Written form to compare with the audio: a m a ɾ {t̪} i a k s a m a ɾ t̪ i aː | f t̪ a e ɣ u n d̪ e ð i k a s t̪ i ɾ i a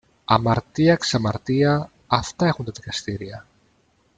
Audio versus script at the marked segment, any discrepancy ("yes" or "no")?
no